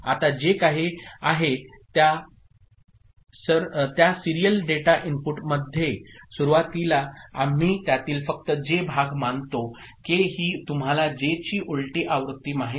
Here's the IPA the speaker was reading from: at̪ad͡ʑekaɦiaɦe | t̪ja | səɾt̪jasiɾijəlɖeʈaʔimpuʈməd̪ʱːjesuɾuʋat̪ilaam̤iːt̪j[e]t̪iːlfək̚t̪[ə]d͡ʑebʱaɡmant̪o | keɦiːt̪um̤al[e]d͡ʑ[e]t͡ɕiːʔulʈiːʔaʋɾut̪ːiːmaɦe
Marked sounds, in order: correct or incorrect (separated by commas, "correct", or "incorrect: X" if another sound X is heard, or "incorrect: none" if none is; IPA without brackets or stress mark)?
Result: incorrect: a, correct, incorrect: a, correct